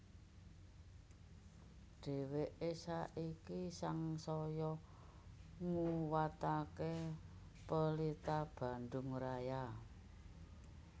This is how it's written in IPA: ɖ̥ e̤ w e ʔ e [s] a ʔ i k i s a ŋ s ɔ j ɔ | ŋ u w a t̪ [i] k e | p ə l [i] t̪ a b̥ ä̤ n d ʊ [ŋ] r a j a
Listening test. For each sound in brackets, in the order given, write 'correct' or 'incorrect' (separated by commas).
correct, incorrect, correct, correct